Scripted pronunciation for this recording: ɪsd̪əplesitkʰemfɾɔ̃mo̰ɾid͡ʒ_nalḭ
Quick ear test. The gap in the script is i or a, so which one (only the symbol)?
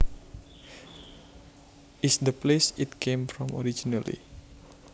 i